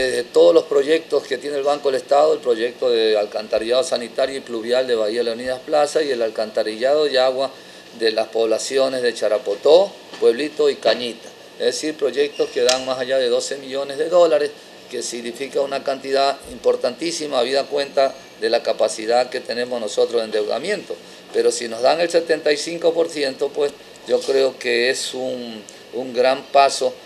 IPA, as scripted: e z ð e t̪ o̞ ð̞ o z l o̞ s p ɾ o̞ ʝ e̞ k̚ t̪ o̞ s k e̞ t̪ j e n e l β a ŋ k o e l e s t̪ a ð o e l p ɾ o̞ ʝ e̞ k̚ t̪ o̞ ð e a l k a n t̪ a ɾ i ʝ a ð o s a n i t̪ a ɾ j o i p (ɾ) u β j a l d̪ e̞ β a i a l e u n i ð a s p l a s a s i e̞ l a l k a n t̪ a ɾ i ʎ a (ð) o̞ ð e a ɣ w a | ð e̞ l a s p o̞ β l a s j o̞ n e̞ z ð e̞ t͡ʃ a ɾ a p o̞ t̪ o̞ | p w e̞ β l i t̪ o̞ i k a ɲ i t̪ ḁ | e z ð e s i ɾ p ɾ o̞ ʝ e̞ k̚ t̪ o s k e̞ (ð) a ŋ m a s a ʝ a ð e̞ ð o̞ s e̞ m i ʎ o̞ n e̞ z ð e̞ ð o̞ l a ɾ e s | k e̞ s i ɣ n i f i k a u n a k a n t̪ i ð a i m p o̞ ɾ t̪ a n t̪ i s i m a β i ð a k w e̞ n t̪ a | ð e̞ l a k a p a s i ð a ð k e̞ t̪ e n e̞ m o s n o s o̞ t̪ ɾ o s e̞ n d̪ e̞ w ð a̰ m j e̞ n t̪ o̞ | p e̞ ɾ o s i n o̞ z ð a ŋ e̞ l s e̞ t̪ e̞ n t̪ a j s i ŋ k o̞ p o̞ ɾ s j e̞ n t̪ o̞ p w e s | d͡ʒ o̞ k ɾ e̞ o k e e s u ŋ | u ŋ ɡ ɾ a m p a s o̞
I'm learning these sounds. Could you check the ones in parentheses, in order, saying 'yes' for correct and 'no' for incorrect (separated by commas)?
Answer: no, yes, yes